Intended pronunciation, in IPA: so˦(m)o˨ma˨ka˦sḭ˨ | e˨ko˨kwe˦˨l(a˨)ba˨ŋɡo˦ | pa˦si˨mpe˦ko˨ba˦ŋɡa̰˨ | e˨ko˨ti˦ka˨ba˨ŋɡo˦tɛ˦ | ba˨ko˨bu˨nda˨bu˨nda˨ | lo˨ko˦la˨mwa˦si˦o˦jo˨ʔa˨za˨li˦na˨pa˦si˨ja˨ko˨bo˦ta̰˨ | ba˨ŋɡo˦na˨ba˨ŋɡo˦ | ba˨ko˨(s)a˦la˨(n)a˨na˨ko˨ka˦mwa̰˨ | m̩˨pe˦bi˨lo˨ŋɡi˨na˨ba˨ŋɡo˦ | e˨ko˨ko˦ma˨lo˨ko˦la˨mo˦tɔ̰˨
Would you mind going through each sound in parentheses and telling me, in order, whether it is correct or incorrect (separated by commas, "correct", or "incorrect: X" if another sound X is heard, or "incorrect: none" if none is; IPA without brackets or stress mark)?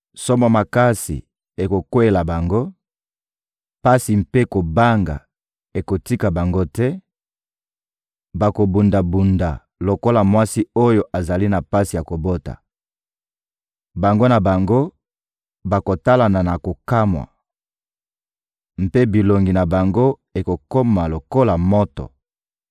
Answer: correct, correct, incorrect: t, correct